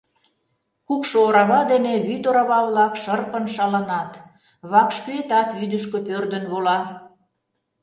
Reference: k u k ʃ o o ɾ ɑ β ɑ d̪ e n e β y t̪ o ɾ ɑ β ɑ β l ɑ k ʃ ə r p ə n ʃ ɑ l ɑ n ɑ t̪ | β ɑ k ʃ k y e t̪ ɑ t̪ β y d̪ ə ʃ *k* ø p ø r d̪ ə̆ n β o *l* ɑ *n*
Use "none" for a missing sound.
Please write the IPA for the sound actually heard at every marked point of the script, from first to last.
k, l, none

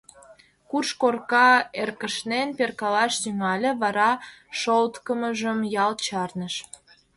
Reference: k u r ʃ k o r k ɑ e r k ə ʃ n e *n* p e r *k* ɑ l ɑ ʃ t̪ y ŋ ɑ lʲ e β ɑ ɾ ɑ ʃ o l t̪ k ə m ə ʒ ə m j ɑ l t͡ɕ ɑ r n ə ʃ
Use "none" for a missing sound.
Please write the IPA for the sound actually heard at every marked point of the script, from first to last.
n, k

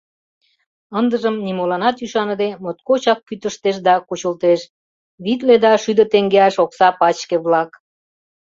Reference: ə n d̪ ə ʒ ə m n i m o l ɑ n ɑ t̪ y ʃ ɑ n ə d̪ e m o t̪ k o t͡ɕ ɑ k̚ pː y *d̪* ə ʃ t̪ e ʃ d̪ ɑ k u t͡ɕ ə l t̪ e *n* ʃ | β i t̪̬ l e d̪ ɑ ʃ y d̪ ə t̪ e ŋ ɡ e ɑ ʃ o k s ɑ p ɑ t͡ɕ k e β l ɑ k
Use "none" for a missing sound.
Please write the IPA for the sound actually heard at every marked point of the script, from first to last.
t̪, none

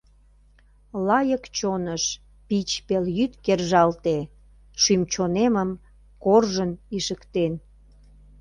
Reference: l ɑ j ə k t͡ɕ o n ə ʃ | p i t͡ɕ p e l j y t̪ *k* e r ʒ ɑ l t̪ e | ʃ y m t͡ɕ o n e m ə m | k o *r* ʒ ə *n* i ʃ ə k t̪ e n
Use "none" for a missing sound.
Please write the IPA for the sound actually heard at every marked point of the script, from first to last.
k, r, n

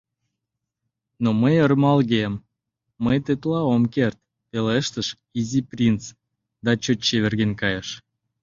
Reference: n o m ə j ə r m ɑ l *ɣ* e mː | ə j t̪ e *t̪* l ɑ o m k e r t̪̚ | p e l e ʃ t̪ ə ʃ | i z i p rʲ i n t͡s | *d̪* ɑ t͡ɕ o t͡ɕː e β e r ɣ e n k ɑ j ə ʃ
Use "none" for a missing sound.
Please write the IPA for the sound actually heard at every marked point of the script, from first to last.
ɣ, t̪, d̪

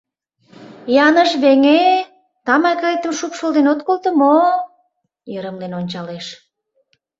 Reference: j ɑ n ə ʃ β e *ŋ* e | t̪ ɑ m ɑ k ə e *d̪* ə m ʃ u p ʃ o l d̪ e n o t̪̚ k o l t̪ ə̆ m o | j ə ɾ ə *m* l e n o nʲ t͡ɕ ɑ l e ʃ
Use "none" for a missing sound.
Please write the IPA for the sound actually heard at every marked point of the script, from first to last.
ŋ, t̪, m

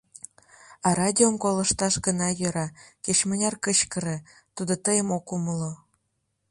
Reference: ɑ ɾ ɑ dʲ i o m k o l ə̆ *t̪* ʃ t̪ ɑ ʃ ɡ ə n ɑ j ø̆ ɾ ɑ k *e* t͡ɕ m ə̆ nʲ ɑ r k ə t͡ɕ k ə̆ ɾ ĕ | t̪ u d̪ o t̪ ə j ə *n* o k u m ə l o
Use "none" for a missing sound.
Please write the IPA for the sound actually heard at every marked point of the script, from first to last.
none, e, m

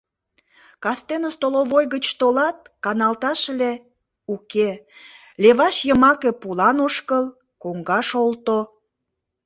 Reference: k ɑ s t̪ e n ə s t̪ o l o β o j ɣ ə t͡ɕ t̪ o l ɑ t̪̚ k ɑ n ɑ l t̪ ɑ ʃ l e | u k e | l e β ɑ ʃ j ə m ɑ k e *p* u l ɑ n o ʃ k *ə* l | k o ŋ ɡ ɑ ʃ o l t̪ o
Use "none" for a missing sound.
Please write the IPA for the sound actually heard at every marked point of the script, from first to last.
p, ə

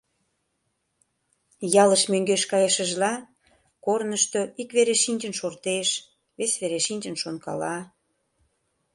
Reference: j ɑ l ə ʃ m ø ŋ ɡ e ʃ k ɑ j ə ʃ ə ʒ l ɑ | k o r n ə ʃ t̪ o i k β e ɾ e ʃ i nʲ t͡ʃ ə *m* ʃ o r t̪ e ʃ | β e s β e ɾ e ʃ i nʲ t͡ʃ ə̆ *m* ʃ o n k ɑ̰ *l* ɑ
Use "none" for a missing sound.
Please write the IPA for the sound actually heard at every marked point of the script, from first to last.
n, n, l

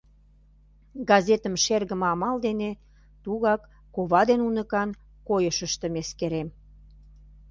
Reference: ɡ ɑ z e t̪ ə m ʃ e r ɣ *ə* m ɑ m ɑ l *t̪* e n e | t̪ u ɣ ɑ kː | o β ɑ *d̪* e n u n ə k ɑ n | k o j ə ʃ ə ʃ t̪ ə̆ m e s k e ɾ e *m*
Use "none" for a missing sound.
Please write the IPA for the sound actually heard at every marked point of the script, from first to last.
ə, d̪, d̪, m

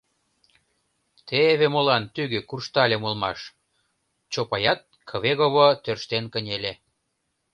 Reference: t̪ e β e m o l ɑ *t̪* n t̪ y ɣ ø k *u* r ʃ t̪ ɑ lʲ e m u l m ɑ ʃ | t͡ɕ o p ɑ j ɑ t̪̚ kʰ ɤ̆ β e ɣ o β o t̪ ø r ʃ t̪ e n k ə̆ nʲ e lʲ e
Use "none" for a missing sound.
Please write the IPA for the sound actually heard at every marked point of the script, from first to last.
none, u

